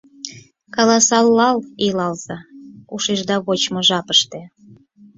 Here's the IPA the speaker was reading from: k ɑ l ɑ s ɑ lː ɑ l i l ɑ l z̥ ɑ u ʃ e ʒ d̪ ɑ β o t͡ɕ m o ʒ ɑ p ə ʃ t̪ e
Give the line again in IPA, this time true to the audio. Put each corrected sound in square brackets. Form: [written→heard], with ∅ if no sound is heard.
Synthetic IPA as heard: k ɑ l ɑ s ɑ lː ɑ l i l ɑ l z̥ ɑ u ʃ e ʒ d̪ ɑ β o t͡ɕ m o ʒ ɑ p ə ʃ t̪ e